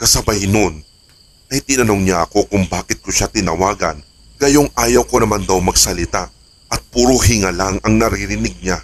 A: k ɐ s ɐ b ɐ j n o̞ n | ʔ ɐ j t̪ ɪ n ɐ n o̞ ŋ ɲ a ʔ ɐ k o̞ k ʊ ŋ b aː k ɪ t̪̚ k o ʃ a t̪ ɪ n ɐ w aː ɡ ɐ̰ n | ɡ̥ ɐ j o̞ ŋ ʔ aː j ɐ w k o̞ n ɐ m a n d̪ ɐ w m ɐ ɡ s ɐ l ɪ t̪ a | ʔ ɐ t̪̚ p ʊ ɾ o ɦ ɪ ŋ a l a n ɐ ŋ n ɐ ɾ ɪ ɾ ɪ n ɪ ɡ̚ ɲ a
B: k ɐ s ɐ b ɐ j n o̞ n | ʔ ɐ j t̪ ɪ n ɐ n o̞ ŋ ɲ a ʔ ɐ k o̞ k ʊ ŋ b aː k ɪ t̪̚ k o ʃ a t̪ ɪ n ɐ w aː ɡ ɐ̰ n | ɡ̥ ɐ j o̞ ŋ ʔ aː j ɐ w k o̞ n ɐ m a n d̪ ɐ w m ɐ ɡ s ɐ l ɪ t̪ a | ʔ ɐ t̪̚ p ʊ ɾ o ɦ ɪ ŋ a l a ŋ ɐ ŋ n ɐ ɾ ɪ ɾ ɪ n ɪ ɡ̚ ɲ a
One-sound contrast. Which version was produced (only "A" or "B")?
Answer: B